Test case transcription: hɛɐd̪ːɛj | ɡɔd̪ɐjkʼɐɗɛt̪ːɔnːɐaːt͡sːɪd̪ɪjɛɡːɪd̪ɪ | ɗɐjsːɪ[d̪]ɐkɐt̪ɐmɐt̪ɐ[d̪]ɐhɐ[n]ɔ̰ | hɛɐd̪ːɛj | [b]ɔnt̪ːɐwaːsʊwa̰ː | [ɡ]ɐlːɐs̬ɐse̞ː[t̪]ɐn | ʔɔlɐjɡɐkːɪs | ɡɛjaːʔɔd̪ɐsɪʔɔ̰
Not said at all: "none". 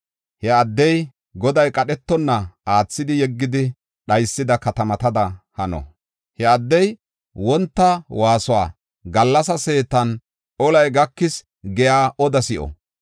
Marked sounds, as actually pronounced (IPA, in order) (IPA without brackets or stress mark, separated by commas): d̪, d̪, n, w, ɡ, t̪